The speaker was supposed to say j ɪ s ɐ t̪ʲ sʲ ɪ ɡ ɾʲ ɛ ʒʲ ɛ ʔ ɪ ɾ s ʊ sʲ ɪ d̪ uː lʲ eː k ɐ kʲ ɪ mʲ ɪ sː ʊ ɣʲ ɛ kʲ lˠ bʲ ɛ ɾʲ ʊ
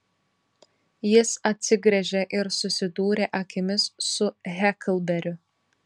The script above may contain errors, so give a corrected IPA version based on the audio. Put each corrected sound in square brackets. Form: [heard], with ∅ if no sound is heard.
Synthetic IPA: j ɪ s ɐ t̪ʲ sʲ ɪ ɡ ɾʲ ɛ ʒʲ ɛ ʔ ɪ ɾ s ʊ sʲ ɪ d̪ uː [ɾʲ] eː [ʔ] ɐ kʲ ɪ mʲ ɪ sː ʊ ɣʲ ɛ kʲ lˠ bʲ ɛ ɾʲ ʊ